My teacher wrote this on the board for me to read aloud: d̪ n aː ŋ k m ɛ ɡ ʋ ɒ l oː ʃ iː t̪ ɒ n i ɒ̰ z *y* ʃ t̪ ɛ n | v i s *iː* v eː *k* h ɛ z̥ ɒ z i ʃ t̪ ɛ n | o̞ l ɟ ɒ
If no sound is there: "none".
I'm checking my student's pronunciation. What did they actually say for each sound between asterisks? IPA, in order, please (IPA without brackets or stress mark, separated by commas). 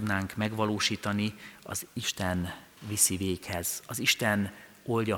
i, i, k